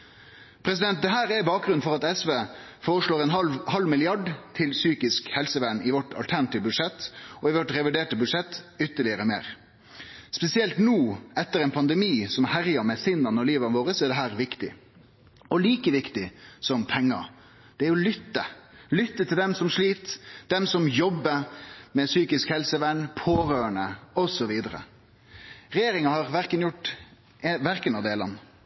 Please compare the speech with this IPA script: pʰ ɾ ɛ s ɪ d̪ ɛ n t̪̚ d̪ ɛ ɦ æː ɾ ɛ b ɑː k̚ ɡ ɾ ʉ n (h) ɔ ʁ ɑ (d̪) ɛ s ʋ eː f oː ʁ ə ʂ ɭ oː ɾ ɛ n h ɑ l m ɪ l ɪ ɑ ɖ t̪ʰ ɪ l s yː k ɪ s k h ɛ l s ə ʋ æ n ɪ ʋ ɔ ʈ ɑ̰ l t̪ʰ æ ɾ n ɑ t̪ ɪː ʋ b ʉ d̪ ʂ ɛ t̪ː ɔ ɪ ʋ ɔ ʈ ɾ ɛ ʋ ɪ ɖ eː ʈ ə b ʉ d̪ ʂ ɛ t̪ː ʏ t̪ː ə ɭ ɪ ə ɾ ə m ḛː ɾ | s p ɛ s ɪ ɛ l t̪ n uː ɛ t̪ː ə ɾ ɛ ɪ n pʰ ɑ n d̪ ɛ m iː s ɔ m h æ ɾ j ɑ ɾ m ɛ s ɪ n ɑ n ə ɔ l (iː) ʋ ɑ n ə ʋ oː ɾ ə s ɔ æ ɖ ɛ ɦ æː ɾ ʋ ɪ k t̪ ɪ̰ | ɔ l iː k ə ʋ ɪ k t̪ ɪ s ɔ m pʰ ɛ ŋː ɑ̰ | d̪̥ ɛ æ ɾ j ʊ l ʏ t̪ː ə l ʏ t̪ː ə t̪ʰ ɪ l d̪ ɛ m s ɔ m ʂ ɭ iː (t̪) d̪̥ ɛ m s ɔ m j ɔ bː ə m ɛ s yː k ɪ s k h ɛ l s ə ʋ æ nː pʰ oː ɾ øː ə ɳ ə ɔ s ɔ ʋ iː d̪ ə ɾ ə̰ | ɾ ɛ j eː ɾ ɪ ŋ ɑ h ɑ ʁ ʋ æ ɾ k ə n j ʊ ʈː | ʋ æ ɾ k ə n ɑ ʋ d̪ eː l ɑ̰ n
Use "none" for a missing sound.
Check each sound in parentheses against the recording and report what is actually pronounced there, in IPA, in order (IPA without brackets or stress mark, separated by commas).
f, t̪, iː, t̪